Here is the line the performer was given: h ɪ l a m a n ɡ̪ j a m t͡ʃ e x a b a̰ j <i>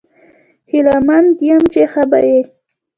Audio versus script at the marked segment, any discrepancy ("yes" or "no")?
yes